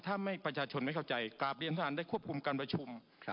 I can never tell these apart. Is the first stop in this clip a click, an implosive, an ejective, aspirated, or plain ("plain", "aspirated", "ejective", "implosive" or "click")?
aspirated